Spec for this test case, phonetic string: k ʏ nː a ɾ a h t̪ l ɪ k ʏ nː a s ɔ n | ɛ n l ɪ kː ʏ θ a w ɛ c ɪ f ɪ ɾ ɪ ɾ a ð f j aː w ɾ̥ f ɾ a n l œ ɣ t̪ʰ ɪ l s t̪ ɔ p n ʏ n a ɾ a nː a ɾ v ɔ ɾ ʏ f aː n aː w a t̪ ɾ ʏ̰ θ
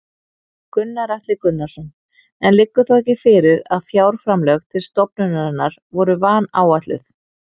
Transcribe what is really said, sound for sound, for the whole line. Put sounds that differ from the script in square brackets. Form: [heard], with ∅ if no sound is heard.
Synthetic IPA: k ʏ nː a ɾ a h t̪ l ɪ k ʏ nː a s ɔ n | ɛ n l ɪ kː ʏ θ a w ɛ c ɪ f ɪ ɾ ɪ ɾ a ð f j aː w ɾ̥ f ɾ a [m] l œ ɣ t̪ʰ ɪ l s t̪ ɔ p n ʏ n a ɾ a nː a ɾ v ɔ ɾ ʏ [v] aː n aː w a t̪ [l] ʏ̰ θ